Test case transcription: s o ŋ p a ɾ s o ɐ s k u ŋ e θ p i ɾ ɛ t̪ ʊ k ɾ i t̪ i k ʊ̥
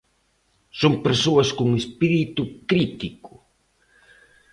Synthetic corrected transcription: s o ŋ p e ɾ s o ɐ s k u ŋ e s p i ɾ i t̪ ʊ k ɾ i t̪ i k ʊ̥